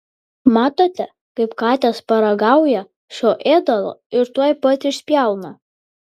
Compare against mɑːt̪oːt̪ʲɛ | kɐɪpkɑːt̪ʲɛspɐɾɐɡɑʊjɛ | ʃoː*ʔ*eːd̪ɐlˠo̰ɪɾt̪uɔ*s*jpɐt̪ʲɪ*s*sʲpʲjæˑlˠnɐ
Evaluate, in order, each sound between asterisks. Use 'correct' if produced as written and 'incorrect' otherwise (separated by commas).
correct, incorrect, incorrect